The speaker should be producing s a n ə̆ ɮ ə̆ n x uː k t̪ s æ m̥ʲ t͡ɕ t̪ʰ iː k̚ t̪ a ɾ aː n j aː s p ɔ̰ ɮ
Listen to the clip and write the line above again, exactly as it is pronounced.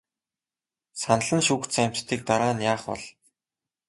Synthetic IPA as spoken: s a n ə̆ ɮ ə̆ n ʃ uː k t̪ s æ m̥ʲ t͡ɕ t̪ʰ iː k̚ t̪ a ɾ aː n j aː χ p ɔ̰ ɮ